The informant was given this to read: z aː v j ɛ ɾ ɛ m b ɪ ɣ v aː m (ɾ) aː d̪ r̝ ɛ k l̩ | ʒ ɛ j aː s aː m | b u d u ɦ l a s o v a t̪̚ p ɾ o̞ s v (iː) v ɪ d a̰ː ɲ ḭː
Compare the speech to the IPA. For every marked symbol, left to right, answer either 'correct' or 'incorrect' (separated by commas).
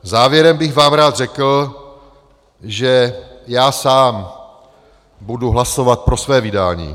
correct, incorrect